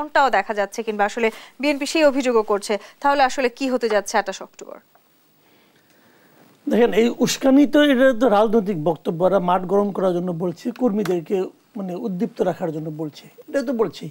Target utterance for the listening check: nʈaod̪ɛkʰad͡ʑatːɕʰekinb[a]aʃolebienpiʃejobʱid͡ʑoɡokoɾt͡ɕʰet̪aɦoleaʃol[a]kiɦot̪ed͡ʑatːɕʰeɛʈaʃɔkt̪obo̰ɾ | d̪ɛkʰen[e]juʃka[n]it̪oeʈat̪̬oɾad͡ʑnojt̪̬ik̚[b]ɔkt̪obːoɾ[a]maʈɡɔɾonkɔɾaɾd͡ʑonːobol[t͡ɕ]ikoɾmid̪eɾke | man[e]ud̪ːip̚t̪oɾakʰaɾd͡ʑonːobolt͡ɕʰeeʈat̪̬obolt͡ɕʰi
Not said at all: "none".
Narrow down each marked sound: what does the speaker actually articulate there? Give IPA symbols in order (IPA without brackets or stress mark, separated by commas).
a, e, e, n, b, a, t͡ɕʰ, e